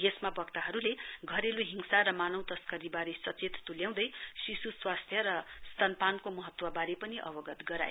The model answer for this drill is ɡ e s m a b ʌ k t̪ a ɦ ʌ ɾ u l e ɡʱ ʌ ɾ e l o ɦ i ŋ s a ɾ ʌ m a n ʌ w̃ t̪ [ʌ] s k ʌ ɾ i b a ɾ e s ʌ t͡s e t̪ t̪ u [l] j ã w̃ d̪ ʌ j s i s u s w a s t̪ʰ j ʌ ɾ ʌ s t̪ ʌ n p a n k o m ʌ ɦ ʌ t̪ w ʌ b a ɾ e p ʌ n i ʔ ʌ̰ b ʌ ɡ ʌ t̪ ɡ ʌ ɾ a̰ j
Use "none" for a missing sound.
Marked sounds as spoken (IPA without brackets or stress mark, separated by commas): ʌ, l